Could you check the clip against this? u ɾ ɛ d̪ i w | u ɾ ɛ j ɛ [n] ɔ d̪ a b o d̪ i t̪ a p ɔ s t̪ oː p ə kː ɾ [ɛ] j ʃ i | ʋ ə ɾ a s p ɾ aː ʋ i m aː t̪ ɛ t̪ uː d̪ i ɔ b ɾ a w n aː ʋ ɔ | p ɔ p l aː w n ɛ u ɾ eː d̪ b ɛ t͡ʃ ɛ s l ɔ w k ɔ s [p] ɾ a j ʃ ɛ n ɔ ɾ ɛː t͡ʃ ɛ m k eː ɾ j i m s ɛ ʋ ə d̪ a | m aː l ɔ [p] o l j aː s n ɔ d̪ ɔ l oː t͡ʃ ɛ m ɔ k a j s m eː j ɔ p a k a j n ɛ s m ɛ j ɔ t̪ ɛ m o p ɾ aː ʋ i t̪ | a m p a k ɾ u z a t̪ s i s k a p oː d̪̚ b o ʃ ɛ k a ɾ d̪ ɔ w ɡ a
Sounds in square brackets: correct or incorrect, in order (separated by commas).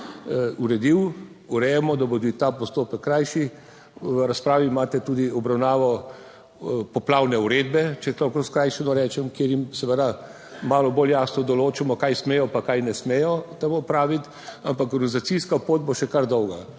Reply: incorrect, incorrect, incorrect, incorrect